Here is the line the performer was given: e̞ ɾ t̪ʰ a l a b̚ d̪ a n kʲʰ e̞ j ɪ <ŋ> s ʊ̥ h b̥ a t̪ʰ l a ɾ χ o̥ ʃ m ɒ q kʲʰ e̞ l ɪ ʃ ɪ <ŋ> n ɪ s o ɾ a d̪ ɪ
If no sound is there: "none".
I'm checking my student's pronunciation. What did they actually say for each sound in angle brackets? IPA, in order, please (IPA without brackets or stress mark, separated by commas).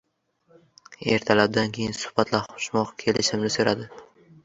n, m